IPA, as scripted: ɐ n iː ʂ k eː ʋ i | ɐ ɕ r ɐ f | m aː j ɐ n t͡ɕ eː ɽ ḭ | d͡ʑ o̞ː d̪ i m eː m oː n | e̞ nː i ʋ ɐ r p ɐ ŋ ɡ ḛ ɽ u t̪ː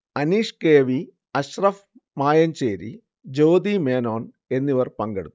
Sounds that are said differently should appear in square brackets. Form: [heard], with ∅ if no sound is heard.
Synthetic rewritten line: ɐ n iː ʂ k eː ʋ i | ɐ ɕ r ɐ f | m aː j ɐ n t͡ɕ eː [ɾ] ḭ | d͡ʑ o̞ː d̪ i m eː [n] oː n | e̞ nː i ʋ ɐ r p ɐ ŋ ɡ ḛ ɽ u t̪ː